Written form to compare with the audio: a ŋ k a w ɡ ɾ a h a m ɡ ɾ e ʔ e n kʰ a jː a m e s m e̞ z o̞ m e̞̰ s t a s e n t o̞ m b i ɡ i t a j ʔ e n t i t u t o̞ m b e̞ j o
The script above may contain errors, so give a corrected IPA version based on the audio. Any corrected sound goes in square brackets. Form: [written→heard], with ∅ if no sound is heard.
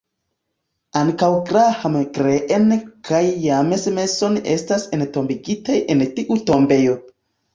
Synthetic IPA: a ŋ k a w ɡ ɾ a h a m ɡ ɾ e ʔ e n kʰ a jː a m e s m e̞ [z→s] o̞ [m→n] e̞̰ s t a s e n t o̞ m b i ɡ i t a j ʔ e n t i [t→ʔ] u t o̞ m b e̞ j o